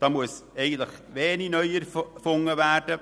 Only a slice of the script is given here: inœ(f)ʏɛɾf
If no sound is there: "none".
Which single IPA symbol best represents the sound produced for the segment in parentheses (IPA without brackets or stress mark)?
none